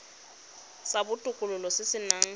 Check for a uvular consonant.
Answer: absent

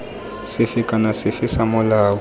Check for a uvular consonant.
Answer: absent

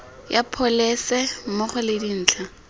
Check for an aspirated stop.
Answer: present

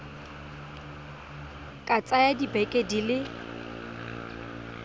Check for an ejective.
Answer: present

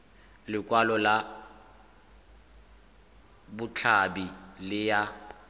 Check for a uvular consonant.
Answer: absent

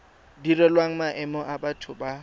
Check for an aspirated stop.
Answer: present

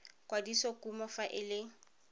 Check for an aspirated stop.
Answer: absent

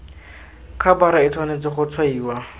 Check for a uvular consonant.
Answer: present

